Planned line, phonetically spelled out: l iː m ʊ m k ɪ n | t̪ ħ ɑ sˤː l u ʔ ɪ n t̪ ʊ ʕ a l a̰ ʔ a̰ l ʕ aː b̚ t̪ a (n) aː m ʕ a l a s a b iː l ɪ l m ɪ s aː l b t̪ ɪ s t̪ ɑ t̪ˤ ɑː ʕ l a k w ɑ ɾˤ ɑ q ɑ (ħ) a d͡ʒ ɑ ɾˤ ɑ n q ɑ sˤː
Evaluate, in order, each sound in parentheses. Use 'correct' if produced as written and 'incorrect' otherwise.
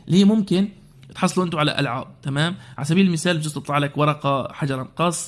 incorrect: m, correct

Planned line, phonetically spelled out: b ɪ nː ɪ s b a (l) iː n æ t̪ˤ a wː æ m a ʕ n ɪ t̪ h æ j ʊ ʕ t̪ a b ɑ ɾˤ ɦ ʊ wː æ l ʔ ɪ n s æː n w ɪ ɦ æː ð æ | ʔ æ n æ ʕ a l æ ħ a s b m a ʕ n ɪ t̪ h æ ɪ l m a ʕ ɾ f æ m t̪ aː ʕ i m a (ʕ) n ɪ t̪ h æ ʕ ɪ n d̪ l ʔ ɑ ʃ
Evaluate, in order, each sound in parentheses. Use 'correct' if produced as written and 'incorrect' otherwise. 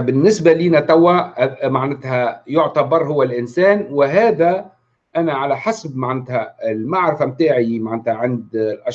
correct, correct

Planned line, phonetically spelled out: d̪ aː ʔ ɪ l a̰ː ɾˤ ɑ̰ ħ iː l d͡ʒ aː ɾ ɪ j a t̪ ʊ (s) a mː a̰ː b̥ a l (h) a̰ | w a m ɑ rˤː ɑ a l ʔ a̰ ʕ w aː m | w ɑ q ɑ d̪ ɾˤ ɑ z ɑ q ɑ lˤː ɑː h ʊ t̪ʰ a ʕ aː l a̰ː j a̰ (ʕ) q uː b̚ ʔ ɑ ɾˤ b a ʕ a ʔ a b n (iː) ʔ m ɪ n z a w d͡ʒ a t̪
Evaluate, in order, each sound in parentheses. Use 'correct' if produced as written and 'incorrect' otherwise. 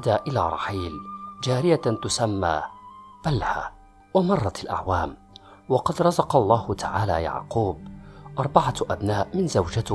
correct, correct, correct, incorrect: aː

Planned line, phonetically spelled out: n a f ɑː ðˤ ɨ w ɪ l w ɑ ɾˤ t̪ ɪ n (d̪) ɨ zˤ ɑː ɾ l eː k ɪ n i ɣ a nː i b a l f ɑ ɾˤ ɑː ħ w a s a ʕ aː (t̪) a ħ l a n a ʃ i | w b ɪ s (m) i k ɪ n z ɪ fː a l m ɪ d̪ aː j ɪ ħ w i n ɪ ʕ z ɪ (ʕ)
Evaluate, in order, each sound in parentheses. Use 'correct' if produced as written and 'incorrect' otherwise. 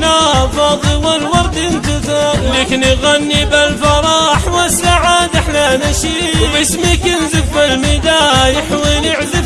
incorrect: t̪, incorrect: d̪, correct, incorrect: none

